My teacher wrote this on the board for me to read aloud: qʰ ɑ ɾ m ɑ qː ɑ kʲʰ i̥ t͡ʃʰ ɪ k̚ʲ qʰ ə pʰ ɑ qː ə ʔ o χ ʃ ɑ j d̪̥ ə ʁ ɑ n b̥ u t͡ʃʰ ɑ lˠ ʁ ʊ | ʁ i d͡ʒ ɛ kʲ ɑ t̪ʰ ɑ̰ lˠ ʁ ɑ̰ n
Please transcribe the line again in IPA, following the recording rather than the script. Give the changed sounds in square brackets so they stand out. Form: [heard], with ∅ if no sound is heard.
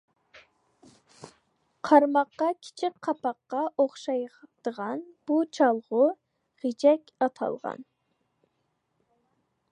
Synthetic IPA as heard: qʰ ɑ ɾ m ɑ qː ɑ kʲʰ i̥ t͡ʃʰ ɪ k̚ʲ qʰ [ɑ] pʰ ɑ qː [ɑ] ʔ o χ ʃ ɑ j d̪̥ ə ʁ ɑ n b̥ u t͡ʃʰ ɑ lˠ ʁ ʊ | ʁ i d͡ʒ ɛ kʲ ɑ t̪ʰ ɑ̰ lˠ ʁ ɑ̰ n